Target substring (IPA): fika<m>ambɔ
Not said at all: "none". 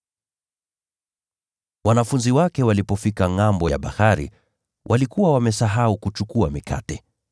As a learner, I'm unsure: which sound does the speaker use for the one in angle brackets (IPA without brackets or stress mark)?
ŋ